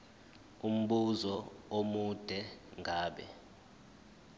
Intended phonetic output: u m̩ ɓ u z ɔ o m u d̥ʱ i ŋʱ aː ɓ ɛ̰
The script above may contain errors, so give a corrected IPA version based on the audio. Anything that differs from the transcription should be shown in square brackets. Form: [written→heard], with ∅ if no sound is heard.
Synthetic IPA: u m̩ ɓ u z ɔ o m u d̥ʱ [i→ɛ] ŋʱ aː ɓ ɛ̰